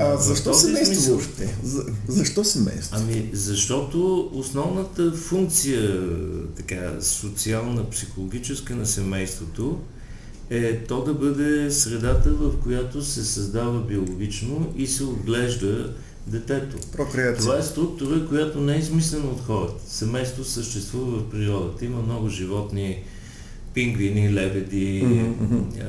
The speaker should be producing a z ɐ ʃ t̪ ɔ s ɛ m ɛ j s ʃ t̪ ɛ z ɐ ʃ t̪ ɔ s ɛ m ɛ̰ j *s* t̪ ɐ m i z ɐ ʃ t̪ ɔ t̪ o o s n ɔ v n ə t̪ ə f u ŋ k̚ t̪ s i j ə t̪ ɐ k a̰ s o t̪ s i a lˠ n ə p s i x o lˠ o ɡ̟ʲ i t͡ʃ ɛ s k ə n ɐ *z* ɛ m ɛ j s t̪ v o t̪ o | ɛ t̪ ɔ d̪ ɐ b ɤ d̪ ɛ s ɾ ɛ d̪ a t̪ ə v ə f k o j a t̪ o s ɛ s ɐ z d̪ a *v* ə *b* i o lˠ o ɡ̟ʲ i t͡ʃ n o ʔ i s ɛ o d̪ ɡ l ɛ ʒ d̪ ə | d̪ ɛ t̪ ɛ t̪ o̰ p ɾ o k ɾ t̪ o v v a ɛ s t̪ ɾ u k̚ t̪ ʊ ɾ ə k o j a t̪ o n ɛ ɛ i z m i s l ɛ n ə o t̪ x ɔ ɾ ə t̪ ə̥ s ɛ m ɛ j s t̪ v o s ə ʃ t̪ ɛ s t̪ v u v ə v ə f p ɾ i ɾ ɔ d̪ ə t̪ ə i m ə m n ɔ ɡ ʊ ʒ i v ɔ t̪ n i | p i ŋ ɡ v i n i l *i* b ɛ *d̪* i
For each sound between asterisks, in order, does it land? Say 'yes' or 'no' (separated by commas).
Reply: yes, no, yes, yes, no, yes